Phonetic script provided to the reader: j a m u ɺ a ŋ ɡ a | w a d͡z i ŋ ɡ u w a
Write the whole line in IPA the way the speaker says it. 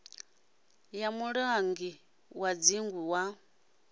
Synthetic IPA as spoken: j a m u ɺ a ŋ ɡ i | w a d͡z i ŋ ɡ u w a